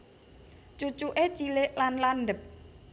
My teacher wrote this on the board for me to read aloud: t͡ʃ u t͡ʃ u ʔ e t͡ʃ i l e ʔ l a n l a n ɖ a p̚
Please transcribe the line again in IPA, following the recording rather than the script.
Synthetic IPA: t͡ʃ u t͡ʃ u ʔ e t͡ʃ i l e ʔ l a n l a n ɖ ə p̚